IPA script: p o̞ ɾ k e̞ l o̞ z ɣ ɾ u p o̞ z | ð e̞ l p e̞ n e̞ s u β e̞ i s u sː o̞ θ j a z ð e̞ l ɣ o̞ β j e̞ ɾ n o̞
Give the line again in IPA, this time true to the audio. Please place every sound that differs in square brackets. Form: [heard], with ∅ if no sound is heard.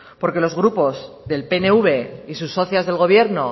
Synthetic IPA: p o̞ ɾ k e̞ l o̞ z ɣ ɾ u p o̞ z | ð e̞ l p e̞ n e̞ [∅] u β e̞ i s u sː o̞ θ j a z ð e̞ l ɣ o̞ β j e̞ ɾ n o̞